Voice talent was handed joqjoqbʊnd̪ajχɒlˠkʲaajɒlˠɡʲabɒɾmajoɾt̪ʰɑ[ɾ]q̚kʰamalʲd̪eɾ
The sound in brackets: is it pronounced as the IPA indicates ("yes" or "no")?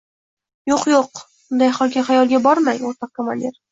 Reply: no